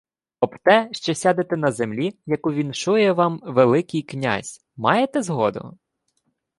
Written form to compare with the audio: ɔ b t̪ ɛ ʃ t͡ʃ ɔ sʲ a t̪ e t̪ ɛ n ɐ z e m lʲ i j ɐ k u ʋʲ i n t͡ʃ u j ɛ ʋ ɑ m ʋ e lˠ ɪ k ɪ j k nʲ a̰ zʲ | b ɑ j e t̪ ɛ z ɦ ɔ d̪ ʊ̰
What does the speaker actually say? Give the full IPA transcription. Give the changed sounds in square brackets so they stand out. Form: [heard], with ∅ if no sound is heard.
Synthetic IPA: ɔ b t̪ ɛ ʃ t͡ʃ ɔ sʲ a [d̪] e t̪ ɛ n ɐ z e m lʲ i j ɐ k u ʋʲ i n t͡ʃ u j ɛ ʋ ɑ m ʋ e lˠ ɪ k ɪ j k nʲ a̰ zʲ | [m] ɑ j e t̪ ɛ z ɦ ɔ d̪ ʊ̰